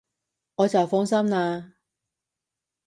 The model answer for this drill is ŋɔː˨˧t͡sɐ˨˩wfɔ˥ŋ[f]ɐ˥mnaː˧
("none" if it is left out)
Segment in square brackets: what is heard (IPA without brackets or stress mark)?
s